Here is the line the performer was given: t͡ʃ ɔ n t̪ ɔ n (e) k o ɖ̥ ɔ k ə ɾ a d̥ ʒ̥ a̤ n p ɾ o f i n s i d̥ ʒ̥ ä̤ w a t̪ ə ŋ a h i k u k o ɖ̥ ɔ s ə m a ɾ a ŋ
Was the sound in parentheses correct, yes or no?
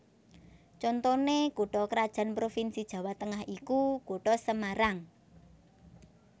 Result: yes